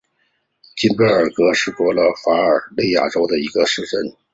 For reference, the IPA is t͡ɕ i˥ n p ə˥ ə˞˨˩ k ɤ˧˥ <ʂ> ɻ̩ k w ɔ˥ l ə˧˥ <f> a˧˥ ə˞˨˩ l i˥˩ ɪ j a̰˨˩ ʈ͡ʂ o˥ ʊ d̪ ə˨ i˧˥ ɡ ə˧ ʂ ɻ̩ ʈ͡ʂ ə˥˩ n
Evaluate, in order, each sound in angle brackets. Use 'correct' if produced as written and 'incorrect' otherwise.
correct, correct

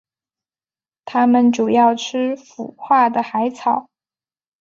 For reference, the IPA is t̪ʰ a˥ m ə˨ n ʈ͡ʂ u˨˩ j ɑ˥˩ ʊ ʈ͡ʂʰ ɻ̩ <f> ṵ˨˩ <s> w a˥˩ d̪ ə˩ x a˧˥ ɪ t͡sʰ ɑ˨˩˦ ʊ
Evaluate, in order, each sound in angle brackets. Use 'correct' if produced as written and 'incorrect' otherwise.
correct, incorrect: x

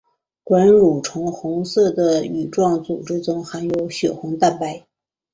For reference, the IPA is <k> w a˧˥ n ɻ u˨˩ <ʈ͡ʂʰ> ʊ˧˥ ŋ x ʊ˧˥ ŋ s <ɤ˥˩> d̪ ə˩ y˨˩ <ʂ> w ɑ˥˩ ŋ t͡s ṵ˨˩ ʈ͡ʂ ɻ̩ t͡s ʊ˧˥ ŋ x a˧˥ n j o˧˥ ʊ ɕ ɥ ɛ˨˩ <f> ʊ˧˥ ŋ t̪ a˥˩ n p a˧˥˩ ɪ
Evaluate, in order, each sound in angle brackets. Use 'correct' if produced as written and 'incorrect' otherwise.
correct, correct, correct, incorrect: ʈ͡ʂ, incorrect: x

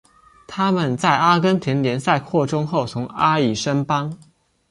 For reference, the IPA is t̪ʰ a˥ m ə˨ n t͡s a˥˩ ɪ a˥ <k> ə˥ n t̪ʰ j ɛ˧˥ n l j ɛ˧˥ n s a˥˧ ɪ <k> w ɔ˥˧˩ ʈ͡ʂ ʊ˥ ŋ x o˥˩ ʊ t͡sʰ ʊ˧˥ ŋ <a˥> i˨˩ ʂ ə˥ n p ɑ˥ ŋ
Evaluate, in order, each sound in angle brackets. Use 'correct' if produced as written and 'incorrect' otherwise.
correct, incorrect: kʰ, correct

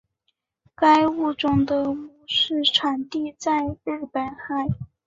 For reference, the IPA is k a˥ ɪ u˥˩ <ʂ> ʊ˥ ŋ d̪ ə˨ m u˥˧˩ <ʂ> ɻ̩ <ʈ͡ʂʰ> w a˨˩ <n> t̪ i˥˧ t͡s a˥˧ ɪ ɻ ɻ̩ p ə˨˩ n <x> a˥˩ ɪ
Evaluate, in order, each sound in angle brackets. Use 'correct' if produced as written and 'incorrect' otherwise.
incorrect: ʈ͡ʂ, correct, correct, correct, correct

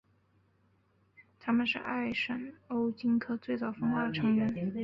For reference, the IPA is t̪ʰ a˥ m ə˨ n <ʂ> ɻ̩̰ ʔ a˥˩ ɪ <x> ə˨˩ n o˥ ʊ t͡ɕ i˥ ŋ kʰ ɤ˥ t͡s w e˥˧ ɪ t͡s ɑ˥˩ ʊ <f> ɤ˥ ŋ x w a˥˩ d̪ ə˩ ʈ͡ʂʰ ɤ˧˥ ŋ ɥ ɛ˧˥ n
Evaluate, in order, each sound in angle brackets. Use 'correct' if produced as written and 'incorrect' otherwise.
correct, incorrect: ʂ, correct

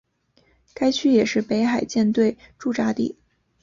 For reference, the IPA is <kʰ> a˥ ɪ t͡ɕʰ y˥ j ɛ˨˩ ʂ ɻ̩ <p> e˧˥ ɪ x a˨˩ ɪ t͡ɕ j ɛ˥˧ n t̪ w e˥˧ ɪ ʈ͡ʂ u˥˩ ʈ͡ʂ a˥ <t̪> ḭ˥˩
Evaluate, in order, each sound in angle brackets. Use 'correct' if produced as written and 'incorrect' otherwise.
incorrect: k, correct, correct

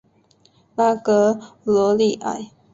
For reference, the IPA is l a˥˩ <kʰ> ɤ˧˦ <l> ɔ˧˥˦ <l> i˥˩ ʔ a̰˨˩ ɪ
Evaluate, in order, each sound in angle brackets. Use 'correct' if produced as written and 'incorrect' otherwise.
incorrect: k, correct, correct

